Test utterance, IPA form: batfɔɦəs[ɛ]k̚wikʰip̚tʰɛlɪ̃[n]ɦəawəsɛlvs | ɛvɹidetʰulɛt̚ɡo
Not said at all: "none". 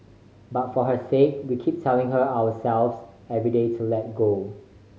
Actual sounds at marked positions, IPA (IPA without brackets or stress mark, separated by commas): e, ŋ